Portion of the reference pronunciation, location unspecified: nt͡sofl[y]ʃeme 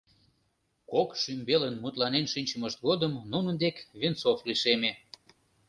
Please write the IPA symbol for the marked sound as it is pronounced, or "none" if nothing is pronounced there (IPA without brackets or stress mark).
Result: i